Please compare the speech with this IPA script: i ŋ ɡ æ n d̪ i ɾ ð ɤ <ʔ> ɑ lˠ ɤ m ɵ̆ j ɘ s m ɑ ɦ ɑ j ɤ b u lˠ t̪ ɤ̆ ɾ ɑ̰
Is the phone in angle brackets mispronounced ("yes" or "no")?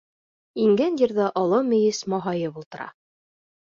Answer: no